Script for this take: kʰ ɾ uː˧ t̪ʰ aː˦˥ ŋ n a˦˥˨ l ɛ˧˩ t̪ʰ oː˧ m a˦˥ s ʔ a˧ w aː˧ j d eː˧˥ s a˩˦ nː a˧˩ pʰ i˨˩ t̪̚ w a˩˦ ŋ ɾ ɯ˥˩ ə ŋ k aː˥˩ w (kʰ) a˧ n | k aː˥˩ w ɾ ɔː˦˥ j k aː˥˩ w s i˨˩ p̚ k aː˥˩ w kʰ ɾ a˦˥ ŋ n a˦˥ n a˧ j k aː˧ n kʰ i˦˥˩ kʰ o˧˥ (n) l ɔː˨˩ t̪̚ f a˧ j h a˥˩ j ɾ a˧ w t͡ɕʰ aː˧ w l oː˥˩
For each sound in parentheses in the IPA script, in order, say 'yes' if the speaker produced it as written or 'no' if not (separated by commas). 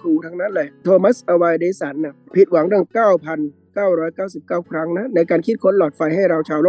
no, yes